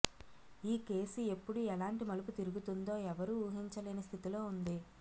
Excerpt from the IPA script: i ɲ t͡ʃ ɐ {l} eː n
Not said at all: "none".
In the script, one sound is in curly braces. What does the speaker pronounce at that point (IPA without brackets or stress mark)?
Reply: l